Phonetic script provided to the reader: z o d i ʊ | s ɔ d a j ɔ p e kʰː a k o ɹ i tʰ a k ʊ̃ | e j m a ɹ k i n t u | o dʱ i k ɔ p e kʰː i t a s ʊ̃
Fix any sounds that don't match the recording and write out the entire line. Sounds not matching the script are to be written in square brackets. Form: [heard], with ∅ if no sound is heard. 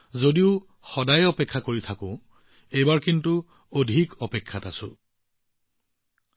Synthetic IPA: z o d i ʊ | [x] ɔ d a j ɔ p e kʰː a k o ɹ i tʰ a k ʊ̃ | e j [b] a ɹ k i n t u | o dʱ i k ɔ p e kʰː [a] t a s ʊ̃